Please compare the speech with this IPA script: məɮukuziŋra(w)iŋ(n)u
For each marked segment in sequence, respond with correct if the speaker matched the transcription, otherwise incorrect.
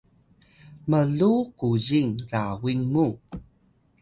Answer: correct, incorrect: m

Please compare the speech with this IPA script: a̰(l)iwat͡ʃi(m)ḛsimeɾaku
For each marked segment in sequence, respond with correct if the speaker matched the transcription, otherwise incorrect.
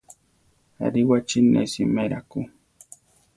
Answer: incorrect: ɾ, incorrect: n

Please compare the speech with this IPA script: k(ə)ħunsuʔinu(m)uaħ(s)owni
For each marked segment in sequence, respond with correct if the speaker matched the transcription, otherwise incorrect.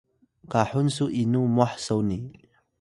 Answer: incorrect: a, correct, correct

